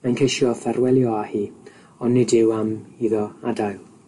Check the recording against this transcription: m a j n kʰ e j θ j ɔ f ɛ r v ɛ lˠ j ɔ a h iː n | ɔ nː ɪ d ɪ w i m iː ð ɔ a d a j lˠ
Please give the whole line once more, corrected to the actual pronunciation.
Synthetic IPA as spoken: m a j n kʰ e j ʃ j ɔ f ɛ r w ɛ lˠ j ɔ a h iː | ɔ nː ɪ d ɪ w a m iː ð ɔ a d a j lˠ

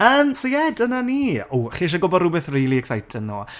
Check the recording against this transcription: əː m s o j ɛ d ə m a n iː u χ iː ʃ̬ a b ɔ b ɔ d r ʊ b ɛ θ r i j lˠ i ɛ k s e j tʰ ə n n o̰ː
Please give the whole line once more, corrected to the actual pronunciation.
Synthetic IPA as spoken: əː m s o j ɛ d ə n a n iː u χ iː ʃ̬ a ɡ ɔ b ɔ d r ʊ b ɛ θ r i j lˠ i ɛ k s a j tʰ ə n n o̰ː

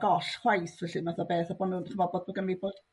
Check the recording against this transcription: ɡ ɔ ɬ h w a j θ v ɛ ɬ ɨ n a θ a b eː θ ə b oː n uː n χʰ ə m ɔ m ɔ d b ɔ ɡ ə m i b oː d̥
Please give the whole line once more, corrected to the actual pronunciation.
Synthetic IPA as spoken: ɡ ɔ ɬ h w a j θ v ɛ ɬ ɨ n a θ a b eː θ a b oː n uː n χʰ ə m ɔ b ɔ d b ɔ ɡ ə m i b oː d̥

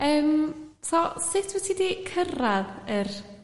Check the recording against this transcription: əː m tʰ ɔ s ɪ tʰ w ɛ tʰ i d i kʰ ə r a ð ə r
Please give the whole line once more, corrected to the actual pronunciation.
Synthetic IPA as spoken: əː m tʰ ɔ s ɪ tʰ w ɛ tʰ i d i kʰ ə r a ð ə r

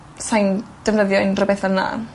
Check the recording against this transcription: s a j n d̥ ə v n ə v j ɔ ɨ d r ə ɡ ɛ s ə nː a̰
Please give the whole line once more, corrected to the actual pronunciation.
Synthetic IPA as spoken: s a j n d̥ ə v n ə ð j ɔ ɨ n r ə b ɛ θ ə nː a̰

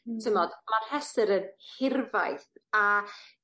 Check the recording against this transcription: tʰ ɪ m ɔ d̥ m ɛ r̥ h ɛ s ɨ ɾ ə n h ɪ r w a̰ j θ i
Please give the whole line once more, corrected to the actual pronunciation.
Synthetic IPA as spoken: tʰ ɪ m ɔ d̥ m a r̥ h ɛ s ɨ ɾ ə n h ɪ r v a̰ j θ a

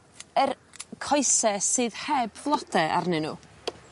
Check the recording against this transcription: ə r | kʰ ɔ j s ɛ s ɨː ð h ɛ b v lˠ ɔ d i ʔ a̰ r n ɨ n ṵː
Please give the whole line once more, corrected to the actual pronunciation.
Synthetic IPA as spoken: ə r | kʰ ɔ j s ɛ s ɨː ð h ɛ b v lˠ ɔ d ɛ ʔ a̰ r n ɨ n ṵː

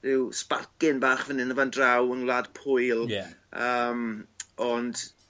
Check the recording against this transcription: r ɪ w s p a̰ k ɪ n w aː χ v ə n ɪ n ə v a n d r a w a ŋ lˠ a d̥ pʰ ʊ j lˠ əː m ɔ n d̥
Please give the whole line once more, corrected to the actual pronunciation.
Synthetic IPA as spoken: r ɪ w s p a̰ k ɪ n b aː χ v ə n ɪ n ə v a n d r a w ə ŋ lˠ a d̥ pʰ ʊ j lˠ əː m ɔ n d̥

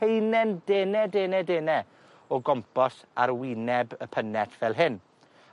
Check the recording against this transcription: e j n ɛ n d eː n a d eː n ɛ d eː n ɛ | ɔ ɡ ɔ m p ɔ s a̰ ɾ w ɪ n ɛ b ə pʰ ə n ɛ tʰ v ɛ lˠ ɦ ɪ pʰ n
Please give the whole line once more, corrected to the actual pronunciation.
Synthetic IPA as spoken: e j n ɛ n d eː n ɛ d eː n ɛ d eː n ɛ | ɔ ɡ ɔ m p ɔ s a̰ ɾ w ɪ n ɛ b ə pʰ ə n ɛ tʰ v ɛ lˠ ɦ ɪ n

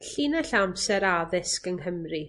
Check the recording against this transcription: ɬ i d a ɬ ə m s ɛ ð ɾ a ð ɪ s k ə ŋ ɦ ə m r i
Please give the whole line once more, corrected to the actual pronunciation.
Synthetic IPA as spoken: ɬ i n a ɬ a m s ɛ ɾ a ð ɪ s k ə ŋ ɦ ə m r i

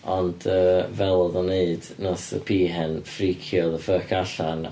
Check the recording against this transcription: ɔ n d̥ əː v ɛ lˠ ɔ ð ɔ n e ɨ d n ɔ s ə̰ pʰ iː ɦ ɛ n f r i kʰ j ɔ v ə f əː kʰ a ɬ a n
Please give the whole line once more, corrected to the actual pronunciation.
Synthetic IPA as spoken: ɔ n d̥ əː v ɛ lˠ ɔ ð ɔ n e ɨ d n ɔ s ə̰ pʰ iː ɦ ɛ n f r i kʰ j ɔ ð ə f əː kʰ a ɬ a n

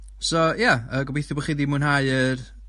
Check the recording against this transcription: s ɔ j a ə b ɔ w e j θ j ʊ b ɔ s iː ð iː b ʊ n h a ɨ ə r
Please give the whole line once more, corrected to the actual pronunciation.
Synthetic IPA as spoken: s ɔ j a ə ɡ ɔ b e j θ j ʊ b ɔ χ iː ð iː m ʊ n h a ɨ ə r

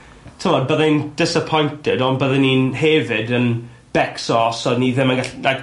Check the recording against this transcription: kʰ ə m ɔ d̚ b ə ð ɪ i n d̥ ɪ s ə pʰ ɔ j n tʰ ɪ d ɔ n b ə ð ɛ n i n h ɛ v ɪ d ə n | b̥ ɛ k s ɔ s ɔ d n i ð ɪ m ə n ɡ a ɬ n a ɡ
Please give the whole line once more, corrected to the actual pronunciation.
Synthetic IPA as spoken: tʰ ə m ɔ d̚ b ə ð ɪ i n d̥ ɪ s ə pʰ ɔ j n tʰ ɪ d ɔ n b ə ð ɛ n i n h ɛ v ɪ d ə n | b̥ ɛ k s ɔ s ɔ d n i ð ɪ m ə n ɡ a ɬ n a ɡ

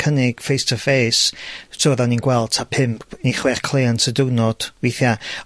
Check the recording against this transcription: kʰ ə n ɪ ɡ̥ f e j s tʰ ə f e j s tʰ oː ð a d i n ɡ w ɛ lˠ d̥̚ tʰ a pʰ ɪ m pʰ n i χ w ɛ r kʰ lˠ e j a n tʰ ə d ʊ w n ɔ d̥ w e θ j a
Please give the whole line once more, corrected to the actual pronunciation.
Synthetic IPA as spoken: kʰ ə n ɪ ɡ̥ f e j s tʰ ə f e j s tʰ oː ð a n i n ɡ w ɛ lˠ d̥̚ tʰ a pʰ ɪ m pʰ n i χ w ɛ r kʰ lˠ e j a n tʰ ə d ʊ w n ɔ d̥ w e θ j a

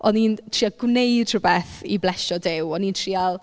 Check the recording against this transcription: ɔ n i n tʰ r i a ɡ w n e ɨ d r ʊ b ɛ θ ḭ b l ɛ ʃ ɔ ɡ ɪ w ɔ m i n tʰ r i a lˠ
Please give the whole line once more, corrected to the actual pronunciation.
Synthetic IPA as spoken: ɔ n i n tʰ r i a ɡ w n e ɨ d r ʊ b ɛ θ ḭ b l ɛ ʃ ɔ d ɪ w ɔ n i n tʰ r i a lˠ

